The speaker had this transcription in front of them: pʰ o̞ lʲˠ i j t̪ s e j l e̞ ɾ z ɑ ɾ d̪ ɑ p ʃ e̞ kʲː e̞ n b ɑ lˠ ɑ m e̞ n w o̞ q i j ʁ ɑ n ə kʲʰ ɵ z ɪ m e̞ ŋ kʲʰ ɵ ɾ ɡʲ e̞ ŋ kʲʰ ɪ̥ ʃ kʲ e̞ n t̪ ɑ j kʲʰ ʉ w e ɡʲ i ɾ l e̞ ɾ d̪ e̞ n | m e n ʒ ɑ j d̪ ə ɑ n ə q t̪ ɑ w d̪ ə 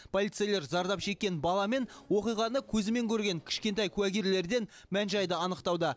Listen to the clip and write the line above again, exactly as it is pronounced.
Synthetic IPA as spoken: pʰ o̞ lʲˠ i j t̪ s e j l e̞ ɾ z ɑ ɾ d̪ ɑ p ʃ e̞ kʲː e̞ n b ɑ lˠ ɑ m e̞ n w o̞ q i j ʁ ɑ n ə kʲʰ ɵ z ɪ m e̞ ŋ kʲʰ ɵ ɾ ɡʲ e̞ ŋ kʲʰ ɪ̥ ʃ kʲ e̞ n t̪ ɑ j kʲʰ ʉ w æ ɡʲ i ɾ l e̞ ɾ d̪ e̞ n | m æ n ʒ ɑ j d̪ ə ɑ n ə q t̪ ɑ w d̪ ə